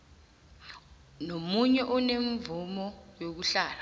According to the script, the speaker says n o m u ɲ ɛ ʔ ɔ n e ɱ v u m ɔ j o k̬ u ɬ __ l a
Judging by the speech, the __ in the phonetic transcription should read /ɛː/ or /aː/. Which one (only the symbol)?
aː